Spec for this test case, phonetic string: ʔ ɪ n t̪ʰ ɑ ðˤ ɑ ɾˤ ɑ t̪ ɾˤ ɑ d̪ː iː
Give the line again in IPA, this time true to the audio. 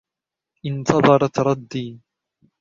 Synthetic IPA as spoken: ʔ ɪ n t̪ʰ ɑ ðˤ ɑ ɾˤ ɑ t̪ ɾˤ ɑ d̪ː iː